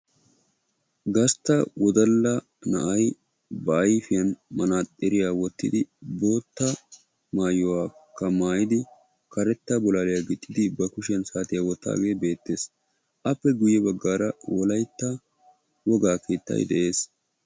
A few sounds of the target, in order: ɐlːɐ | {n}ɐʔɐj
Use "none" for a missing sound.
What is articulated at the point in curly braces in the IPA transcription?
n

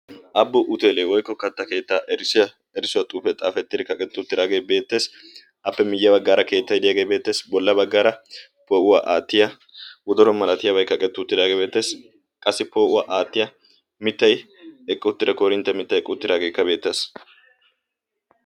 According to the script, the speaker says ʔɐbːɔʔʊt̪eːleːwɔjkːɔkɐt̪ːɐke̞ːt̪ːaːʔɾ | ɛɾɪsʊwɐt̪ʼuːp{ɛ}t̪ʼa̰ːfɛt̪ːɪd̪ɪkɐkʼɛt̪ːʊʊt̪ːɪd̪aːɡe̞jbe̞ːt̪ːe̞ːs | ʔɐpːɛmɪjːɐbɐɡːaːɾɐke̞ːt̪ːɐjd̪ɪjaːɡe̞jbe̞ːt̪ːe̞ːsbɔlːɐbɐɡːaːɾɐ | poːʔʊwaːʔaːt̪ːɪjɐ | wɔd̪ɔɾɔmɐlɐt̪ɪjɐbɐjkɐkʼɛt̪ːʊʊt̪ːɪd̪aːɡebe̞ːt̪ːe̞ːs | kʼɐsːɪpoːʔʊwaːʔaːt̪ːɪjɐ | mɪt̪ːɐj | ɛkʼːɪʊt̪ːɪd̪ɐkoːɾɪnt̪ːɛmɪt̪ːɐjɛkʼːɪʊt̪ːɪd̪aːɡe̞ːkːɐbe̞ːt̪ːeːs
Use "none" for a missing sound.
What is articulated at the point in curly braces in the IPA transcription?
ɛ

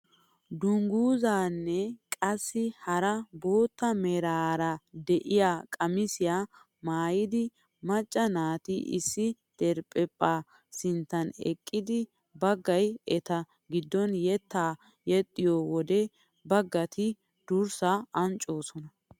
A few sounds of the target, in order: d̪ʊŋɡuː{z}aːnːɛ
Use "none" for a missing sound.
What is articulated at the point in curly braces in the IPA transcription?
z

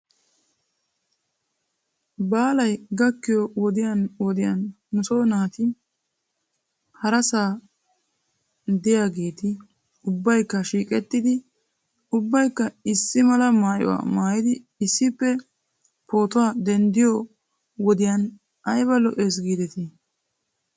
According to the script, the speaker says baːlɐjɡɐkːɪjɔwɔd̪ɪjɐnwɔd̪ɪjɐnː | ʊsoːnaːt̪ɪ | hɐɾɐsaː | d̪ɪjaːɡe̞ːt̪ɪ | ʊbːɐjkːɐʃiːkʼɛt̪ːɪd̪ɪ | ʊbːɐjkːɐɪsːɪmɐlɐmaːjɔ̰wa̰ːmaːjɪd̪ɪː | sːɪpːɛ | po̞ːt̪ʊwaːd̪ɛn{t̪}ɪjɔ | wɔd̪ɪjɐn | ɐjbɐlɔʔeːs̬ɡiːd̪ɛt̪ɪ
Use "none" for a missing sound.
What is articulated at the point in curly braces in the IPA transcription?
d̪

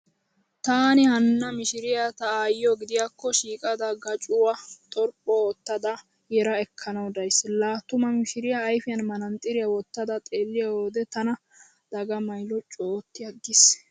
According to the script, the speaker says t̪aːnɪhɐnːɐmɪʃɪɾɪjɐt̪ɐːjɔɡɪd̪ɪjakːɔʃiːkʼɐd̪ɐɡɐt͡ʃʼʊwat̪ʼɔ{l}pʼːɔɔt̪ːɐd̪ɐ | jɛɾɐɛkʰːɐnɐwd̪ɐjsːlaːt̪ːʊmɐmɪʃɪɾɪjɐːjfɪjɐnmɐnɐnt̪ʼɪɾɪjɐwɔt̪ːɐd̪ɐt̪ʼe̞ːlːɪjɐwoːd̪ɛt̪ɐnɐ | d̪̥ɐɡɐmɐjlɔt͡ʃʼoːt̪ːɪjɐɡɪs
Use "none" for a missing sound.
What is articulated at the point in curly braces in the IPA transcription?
ɾ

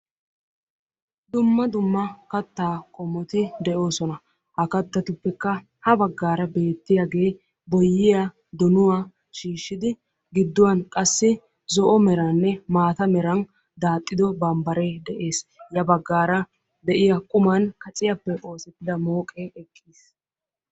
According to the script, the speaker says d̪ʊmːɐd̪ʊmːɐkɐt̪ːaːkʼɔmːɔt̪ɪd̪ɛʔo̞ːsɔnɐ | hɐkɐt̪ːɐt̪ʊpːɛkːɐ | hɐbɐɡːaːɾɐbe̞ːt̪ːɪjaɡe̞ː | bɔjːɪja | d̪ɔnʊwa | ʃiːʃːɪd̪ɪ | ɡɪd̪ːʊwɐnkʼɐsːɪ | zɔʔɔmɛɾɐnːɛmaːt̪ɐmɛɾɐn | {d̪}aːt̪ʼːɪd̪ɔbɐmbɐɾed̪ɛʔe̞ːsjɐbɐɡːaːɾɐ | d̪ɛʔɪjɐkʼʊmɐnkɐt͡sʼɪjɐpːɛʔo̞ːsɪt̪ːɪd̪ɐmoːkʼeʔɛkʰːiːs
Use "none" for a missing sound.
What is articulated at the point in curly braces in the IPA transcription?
d̪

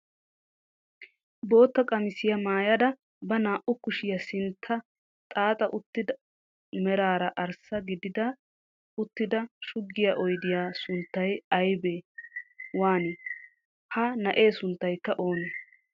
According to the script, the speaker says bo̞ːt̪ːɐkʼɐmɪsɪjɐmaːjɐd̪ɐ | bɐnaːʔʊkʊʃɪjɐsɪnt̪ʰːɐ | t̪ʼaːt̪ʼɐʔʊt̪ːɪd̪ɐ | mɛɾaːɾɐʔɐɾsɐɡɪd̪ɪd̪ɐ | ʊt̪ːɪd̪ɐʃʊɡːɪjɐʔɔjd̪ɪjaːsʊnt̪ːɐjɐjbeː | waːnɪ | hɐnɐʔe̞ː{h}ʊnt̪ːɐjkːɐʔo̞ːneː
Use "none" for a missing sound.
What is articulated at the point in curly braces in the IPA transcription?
s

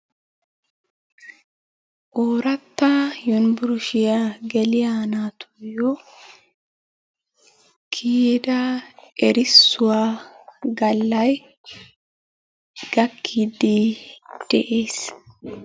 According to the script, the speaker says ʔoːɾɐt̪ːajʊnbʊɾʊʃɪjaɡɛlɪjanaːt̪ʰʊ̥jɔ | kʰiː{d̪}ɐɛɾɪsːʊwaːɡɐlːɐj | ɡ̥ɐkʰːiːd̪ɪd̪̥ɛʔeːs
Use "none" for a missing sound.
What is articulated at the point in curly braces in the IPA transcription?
d̪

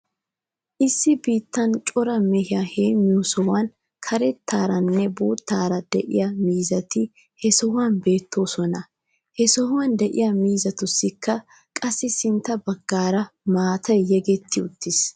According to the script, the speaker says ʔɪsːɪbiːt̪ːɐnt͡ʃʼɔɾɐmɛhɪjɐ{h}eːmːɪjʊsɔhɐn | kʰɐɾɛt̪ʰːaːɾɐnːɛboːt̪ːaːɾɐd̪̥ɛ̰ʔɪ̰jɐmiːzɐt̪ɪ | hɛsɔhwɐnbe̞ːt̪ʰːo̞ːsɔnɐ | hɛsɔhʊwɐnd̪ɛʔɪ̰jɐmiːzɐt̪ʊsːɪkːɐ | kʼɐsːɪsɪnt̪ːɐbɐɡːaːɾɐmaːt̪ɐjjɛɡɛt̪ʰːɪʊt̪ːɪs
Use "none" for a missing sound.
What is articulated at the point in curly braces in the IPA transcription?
h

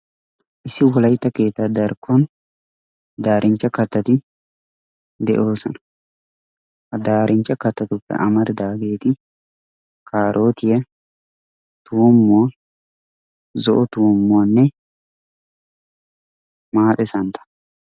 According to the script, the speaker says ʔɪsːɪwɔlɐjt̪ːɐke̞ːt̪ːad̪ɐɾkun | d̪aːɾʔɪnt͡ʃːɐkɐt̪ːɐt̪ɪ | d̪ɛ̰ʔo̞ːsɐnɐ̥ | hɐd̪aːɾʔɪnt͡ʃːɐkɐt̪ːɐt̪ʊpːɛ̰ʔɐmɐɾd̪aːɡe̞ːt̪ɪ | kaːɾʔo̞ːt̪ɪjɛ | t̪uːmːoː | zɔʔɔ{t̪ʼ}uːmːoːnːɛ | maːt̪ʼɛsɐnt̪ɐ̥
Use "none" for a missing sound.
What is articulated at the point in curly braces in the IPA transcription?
t̪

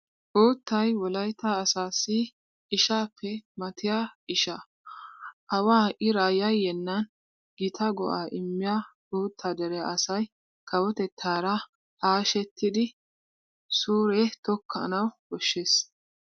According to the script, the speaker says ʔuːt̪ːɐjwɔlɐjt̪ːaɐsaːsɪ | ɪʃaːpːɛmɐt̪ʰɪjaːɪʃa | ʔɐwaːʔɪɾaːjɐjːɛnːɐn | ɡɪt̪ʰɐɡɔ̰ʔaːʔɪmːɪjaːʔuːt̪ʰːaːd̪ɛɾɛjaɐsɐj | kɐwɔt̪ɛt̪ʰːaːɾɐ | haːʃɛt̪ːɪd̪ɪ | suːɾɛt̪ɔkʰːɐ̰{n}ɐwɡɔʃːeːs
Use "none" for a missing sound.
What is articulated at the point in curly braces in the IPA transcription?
n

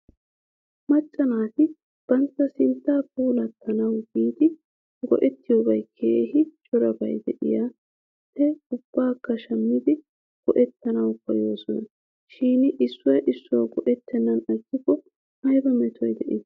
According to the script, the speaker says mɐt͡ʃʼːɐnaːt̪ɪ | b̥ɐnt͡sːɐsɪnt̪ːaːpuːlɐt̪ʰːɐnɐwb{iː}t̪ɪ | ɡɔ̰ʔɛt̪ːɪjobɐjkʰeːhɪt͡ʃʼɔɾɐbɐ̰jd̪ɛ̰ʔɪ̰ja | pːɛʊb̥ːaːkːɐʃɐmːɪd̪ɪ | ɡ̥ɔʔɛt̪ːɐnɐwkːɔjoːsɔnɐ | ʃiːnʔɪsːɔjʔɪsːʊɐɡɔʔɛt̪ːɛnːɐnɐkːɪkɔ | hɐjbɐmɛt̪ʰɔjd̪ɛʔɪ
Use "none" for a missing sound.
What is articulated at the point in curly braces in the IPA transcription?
iː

